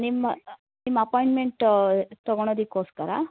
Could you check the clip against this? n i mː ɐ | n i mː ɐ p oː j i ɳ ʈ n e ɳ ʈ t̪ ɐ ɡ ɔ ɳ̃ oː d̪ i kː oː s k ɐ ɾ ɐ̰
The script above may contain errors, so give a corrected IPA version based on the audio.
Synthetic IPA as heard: n i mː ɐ | n i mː ɐ p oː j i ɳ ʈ m e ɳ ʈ t̪ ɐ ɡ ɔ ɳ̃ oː d̪ i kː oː s k ɐ ɾ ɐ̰